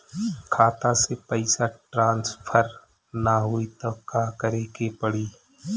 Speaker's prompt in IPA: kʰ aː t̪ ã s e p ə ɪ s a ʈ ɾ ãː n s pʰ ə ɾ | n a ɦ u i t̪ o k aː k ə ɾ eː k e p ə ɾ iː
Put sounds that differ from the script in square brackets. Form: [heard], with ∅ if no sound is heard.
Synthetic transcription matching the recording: kʰ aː t̪ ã s e p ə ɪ s a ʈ ɾ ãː n s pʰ ə ɾ | n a ɦ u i t̪ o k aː k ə ɾ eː k e p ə [ɽ] iː